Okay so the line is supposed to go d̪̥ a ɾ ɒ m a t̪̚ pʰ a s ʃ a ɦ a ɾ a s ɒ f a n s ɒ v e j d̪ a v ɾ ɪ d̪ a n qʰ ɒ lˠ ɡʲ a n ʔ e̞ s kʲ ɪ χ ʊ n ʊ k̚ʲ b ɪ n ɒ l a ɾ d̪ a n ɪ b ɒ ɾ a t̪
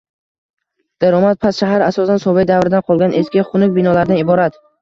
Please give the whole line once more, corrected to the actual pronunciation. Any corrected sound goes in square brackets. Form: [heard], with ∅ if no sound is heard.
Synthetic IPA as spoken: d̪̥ a ɾ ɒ m a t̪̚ pʰ a s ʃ a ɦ a ɾ a s ɒ [s] a n s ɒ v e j d̪ a v ɾ ɪ d̪ a n qʰ ɒ lˠ ɡʲ a n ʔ e̞ s kʲ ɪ χ ʊ n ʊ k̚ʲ b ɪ n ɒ l a ɾ d̪ a n ɪ b ɒ ɾ a t̪